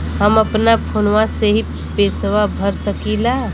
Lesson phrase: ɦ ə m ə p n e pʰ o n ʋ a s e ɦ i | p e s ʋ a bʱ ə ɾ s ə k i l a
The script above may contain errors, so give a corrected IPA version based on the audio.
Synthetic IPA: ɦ ə m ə p n a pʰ o n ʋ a s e ɦ i | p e s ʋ a bʱ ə ɾ s ə k i l a